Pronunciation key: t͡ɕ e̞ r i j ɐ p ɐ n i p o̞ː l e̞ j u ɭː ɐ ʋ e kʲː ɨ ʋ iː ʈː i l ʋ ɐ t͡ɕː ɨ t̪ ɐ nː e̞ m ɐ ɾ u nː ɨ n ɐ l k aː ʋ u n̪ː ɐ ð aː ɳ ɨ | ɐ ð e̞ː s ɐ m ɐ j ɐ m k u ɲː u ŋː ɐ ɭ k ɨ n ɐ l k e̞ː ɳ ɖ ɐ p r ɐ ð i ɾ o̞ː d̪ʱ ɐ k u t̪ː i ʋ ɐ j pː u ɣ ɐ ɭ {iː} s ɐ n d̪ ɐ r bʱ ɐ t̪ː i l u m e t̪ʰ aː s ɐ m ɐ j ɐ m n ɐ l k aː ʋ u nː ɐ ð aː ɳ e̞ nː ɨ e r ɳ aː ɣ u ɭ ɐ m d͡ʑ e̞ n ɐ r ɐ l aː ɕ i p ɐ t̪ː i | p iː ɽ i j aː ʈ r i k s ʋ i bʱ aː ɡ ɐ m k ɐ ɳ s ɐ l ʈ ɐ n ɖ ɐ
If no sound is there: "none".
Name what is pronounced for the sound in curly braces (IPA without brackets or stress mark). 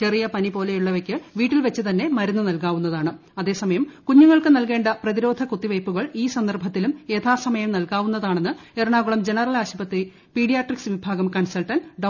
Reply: iː